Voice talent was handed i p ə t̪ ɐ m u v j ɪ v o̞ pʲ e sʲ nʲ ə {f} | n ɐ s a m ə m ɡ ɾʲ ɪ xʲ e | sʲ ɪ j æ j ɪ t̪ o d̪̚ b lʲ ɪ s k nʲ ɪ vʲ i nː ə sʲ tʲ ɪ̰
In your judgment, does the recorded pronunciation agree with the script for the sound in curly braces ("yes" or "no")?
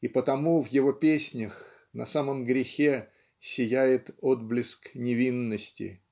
no